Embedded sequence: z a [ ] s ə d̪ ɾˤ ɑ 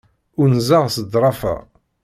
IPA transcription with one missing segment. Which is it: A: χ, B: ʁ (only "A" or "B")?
B